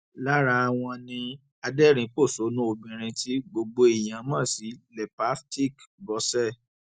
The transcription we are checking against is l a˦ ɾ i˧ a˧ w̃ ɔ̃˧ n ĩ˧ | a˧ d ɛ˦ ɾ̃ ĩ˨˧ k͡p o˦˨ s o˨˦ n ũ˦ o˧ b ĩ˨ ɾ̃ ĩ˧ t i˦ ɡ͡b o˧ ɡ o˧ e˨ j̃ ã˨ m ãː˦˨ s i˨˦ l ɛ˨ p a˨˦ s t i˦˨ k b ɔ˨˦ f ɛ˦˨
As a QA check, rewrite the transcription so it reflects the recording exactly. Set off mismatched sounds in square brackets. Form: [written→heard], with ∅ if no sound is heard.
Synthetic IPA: l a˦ ɾ [i˧→a˧] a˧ w̃ ɔ̃˧ n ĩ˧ | a˧ d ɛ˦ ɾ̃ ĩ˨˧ k͡p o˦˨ s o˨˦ n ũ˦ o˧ b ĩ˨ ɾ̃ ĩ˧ t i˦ ɡ͡b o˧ [ɡ→ɡ͡b] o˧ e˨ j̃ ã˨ m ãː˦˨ s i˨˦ l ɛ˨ p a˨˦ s t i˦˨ k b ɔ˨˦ [f→s] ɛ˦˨